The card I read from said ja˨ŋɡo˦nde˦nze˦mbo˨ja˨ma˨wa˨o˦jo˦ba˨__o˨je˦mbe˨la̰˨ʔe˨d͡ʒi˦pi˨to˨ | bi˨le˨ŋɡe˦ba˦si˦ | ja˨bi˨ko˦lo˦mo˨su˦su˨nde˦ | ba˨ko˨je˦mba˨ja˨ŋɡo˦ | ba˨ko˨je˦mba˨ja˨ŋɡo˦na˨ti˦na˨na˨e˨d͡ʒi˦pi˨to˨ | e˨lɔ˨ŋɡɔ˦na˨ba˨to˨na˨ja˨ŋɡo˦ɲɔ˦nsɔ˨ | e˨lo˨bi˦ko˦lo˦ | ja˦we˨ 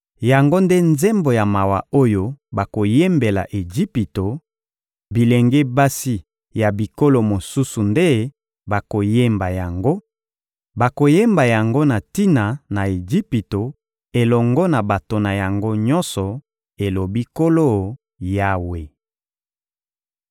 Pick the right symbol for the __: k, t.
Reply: k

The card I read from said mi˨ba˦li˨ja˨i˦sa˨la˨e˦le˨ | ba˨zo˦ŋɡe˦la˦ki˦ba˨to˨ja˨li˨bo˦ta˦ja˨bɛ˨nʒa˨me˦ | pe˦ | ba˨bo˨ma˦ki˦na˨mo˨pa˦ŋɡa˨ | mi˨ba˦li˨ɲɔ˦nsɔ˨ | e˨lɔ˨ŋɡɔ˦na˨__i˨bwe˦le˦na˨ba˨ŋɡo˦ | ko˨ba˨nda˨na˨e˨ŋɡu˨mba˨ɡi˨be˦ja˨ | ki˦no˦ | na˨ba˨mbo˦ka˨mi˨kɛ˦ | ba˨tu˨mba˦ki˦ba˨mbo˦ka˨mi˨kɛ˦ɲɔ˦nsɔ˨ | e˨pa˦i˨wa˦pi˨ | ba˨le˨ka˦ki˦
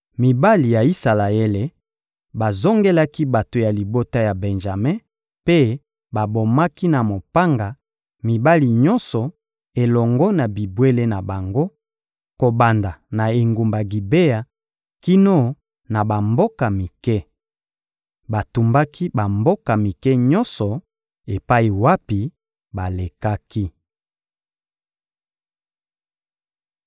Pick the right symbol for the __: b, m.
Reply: b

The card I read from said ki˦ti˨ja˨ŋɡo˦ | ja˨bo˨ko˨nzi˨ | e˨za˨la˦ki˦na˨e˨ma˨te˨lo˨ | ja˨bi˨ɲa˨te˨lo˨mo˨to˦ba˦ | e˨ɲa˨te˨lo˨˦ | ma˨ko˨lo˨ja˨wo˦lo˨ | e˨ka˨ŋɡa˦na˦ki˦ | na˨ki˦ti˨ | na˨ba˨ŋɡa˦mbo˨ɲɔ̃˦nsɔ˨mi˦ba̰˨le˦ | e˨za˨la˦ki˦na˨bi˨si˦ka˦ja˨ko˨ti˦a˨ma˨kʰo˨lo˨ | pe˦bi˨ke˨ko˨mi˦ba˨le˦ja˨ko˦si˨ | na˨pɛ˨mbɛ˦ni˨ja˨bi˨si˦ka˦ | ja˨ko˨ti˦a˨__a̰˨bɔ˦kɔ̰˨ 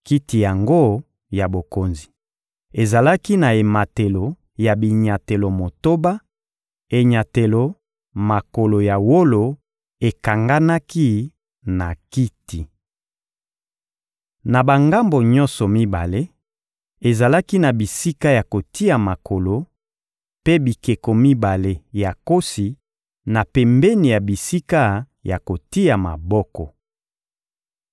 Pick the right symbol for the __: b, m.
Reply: m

